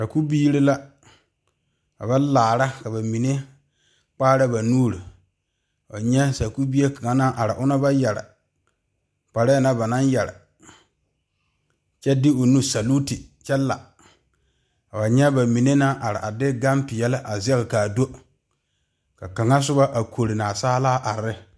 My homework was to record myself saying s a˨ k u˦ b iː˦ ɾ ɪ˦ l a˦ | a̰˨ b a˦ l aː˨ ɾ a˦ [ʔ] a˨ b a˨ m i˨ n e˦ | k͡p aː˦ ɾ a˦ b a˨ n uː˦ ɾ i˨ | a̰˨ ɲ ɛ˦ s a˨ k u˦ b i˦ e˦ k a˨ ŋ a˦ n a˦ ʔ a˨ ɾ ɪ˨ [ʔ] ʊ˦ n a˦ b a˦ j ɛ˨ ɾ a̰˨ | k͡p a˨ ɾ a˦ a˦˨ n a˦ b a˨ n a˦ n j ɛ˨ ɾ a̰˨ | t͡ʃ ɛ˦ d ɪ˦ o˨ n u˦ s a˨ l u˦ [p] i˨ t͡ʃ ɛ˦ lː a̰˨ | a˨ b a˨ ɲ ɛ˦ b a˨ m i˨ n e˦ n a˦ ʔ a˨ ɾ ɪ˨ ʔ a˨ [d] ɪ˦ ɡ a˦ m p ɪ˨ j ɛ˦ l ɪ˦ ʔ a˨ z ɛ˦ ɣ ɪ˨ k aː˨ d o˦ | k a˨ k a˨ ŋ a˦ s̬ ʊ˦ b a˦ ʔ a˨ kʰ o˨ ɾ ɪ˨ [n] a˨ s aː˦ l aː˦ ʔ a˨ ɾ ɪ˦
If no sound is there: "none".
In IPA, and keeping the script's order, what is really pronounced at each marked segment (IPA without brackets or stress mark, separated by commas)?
k, ʔ, t, d, n